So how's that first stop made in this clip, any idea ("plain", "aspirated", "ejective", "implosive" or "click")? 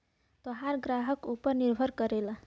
plain